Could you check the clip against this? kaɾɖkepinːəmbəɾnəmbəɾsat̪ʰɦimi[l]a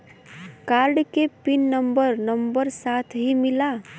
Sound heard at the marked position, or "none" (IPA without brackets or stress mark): l